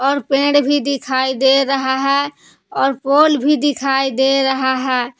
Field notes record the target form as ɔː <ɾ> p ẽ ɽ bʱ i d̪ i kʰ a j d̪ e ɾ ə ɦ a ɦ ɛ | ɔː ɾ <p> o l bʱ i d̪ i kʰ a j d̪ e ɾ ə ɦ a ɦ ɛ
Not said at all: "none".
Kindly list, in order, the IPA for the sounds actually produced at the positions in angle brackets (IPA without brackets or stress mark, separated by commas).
ɾ, p